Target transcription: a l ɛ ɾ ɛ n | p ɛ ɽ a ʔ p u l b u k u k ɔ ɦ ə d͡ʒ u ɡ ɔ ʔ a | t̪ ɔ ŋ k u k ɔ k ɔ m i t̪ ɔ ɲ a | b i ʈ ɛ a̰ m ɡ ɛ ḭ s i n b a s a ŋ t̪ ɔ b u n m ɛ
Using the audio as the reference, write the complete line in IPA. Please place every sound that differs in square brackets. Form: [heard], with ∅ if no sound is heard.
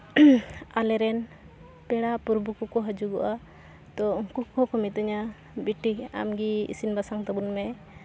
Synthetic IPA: a l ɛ ɾ ɛ n | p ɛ ɽ a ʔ p u [ɾ] b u k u k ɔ ɦ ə d͡ʒ u ɡ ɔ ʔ a | t̪ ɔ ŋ k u k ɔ k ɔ m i t̪ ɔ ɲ a | b i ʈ [i] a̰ m ɡ [i] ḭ s i n b a s a ŋ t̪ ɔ b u n m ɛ

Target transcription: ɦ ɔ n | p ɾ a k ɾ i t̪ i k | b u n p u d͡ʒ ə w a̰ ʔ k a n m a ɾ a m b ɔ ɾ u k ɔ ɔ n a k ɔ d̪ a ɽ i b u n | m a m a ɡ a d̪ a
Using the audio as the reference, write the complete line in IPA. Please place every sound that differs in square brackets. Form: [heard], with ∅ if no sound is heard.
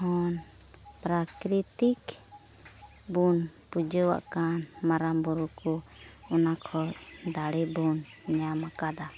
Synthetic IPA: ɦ ɔ n | p ɾ a k ɾ i t̪ i k | b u n p u d͡ʒ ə w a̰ ʔ k a n m a ɾ a m b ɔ ɾ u k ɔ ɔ n a [kʰ] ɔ d̪ a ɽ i b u n | [ɲ] a m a [k] a d̪ a

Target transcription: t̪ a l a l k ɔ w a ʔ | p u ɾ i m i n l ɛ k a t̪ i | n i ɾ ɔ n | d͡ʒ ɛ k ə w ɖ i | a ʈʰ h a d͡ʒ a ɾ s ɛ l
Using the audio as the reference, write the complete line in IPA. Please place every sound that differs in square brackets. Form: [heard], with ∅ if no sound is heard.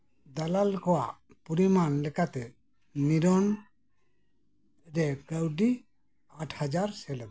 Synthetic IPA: [d̪] a l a l k ɔ w a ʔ | p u ɾ i m [a] n l ɛ k a t̪ [ɛ] | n i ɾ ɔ n | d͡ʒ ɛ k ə w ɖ i | a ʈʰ h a d͡ʒ a ɾ s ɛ l

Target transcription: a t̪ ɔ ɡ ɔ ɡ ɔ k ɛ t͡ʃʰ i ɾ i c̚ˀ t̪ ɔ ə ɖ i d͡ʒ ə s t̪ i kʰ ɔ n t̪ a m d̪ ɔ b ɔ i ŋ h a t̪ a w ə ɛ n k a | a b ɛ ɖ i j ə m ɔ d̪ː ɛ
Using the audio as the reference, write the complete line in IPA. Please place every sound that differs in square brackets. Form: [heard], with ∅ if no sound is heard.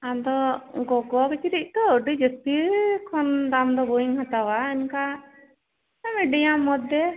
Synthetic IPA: a [d̪] ɔ ɡ ɔ ɡ ɔ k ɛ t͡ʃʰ i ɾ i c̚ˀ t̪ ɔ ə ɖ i d͡ʒ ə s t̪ i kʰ ɔ n [d̪] a m d̪ ɔ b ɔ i ŋ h a t̪ a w [a] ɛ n k a | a [m] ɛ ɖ i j [a] m ɔ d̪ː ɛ

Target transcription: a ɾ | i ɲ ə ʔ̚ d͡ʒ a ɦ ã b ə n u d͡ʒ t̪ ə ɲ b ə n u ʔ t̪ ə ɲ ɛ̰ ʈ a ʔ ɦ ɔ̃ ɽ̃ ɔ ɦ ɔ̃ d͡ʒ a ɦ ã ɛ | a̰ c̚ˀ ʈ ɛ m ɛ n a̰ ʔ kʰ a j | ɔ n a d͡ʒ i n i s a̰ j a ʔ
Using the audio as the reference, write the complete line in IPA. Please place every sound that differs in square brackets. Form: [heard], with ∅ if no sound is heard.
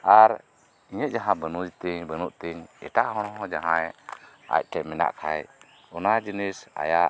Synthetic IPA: a ɾ | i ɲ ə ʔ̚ d͡ʒ a ɦ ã b ə n u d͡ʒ t̪ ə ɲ b ə n u ʔ t̪ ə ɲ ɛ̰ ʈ a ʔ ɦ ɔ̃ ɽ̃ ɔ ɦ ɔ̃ d͡ʒ a ɦ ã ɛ | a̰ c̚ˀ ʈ ɛ m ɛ n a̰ ʔ kʰ a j | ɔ n a d͡ʒ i n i s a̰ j a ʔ

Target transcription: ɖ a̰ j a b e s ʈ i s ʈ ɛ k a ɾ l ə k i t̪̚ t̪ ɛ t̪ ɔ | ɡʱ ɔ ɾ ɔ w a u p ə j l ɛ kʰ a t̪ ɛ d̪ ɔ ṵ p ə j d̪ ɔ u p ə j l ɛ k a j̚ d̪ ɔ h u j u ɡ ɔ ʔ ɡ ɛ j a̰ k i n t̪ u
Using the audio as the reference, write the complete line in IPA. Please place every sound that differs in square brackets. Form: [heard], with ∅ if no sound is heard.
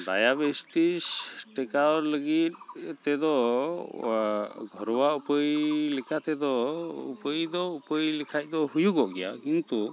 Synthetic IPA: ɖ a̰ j a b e s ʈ i s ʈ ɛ k a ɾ l ə [ɡ] i t̪̚ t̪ ɛ [d̪] ɔ | ɡʱ ɔ ɾ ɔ w a u p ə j l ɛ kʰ a t̪ ɛ d̪ ɔ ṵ p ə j d̪ ɔ u p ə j l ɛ [kʰ] a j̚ d̪ ɔ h u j u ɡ ɔ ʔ ɡ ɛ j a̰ k i n t̪ u

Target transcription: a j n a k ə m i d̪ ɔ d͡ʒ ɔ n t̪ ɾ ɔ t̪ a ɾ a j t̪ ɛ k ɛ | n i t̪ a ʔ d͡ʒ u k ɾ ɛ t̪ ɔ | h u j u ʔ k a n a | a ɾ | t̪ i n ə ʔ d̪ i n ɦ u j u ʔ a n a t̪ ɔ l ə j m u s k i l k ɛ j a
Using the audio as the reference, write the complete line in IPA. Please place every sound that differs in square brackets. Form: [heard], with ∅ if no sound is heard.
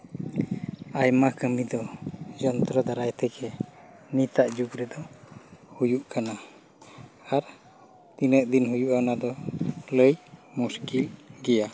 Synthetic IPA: a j [m] a k ə m i d̪ ɔ d͡ʒ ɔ n t̪ ɾ ɔ [d̪] a ɾ a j t̪ ɛ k ɛ | n i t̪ a ʔ d͡ʒ u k ɾ ɛ [d̪] ɔ | h u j u ʔ k a n a | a ɾ | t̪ i n ə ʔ d̪ i n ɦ u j u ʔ a n a [d̪] ɔ l ə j m u s k i l [ɡ] ɛ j a

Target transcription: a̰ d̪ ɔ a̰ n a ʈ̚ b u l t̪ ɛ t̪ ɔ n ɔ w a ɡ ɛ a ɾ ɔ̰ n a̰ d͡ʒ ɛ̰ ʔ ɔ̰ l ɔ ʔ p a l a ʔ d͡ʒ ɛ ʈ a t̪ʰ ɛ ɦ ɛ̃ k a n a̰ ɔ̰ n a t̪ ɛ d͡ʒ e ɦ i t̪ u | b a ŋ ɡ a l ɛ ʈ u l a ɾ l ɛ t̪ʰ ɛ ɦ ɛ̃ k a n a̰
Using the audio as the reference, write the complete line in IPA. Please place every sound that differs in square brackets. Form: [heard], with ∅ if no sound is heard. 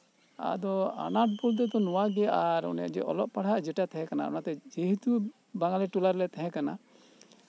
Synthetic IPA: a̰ d̪ ɔ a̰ n a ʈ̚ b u l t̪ ɛ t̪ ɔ n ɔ w a ɡ ɛ a ɾ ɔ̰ n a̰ d͡ʒ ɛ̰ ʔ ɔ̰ l ɔ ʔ p a [ɽ] a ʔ d͡ʒ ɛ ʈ a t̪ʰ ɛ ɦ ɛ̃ k a n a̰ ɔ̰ n a t̪ ɛ d͡ʒ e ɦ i t̪ u | b a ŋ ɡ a l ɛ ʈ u l a ɾ l ɛ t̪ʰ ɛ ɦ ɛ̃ k a n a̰

